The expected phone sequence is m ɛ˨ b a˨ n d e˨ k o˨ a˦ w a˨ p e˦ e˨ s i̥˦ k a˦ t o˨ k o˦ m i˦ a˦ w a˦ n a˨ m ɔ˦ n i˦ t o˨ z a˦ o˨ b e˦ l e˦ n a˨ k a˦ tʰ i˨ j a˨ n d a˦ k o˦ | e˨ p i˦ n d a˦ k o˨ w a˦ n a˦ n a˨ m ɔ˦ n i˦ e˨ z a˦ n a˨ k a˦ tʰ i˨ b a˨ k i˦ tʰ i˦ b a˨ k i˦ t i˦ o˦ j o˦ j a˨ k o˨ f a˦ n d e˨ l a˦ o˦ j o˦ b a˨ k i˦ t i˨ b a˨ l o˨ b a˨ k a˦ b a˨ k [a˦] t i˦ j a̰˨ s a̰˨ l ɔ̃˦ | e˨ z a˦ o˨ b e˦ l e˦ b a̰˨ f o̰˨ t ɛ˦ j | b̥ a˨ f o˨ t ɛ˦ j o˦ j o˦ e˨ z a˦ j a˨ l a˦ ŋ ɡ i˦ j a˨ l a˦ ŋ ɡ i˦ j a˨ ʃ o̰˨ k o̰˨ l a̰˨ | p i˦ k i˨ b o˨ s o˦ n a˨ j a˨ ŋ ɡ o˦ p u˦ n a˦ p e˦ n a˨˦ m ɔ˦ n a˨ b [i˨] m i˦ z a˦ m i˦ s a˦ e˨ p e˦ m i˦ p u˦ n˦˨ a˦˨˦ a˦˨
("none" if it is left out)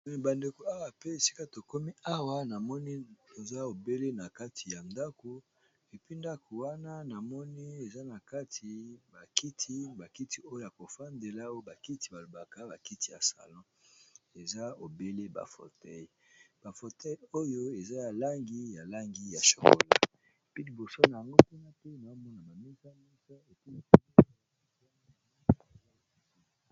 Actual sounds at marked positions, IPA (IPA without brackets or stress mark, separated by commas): i˦, a˨